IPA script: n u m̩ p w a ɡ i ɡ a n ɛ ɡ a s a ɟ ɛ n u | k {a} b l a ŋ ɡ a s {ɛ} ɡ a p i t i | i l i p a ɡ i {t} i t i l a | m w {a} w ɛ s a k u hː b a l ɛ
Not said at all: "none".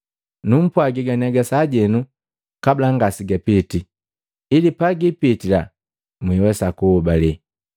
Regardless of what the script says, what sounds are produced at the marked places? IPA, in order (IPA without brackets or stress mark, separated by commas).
a, i, p, i